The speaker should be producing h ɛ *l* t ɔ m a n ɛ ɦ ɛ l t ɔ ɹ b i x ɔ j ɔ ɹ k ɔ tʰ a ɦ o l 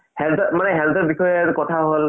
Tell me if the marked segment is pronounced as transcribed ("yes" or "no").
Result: yes